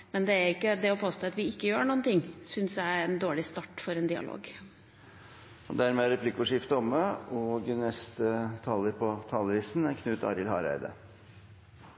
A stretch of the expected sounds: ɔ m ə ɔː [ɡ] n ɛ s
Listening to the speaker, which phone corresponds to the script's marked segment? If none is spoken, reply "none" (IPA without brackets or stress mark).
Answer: ɡ